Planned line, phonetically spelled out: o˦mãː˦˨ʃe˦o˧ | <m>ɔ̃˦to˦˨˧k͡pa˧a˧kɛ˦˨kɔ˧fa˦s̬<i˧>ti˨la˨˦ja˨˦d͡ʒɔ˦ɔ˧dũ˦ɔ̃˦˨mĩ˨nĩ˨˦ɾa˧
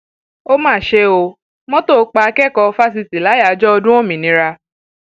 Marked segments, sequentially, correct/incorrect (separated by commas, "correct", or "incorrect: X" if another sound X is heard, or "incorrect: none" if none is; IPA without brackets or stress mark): correct, correct